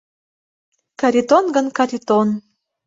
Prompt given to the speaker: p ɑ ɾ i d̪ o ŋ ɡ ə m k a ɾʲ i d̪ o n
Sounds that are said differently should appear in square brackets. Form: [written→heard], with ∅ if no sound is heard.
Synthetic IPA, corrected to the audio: [p→k] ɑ ɾ i [d̪→t̪] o [ŋ→n] ɡ ə [m→n] k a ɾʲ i [d̪→t̪] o n